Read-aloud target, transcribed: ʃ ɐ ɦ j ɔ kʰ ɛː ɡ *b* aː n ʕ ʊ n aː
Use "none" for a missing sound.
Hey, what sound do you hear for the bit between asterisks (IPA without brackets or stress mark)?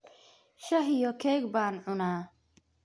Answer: b